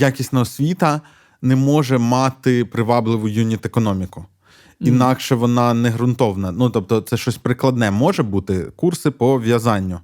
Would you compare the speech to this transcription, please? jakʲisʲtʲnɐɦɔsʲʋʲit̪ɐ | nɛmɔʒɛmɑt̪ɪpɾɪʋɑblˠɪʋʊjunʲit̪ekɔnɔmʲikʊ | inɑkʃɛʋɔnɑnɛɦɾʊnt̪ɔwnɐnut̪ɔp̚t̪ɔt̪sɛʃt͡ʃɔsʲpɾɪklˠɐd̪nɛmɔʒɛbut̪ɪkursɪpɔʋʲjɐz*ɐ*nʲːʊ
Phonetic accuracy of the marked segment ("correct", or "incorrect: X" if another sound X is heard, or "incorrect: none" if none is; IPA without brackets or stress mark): incorrect: ɑ